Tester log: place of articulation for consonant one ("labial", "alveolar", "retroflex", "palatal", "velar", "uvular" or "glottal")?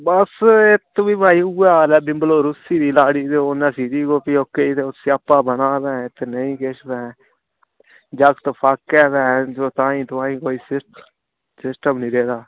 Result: labial